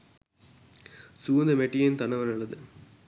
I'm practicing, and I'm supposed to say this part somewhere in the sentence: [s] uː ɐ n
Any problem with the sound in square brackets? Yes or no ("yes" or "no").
no